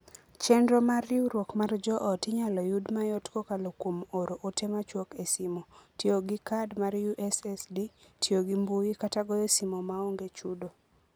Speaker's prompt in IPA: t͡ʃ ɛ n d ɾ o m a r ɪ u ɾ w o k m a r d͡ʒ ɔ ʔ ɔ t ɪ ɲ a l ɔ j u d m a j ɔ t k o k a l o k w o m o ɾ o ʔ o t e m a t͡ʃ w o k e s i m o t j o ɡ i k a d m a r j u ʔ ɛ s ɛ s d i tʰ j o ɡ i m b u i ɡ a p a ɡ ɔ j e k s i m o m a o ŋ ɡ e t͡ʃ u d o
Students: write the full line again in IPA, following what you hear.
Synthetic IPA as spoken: t͡ʃ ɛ n d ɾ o m a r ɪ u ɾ w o k m a r d͡ʒ ɔ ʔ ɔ t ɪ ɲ a l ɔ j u d m a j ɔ t k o k a l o k w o m o ɾ o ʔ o t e m a t͡ʃ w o k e s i m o t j o ɡ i k a d m a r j u ʔ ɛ s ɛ s d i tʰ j o ɡ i m b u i k a t a ɡ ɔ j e s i m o m a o ŋ ɡ e t͡ʃ u d o